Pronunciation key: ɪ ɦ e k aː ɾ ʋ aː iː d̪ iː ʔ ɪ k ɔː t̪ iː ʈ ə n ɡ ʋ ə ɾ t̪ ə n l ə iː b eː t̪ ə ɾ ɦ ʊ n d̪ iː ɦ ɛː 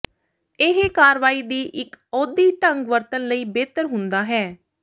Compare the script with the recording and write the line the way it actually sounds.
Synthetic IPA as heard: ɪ ɦ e k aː ɾ ʋ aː iː d̪ iː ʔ ɪ k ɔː d̪ iː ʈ ə ŋ ɡ ʋ ə ɾ t̪ ə n l ə iː b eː t̪ ə ɾ ɦ ʊ n d̪ aː ɦ ɛː